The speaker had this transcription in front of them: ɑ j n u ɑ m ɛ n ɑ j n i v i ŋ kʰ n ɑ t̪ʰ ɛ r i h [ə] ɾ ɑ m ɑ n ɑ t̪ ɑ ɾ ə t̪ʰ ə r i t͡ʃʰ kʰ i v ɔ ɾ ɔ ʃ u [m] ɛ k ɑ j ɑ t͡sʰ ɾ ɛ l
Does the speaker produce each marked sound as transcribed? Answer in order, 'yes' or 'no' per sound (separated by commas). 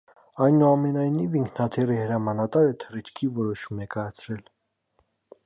yes, yes